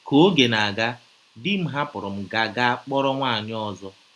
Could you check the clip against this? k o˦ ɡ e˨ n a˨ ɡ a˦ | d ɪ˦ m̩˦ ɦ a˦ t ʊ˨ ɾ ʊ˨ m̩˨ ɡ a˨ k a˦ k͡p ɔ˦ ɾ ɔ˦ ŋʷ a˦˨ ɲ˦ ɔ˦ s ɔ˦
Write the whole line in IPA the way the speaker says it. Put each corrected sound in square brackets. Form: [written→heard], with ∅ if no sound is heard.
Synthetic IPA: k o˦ ɡ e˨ n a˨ ɡ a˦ | d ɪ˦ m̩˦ ɦ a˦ [t→p] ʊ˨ ɾ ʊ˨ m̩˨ ɡ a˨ [k→ɡ] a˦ k͡p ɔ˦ ɾ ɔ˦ ŋʷ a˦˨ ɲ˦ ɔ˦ [s→z] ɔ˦